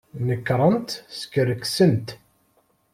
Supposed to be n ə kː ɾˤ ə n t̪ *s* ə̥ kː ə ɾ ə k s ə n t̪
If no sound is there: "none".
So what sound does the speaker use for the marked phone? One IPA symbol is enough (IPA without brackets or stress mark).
s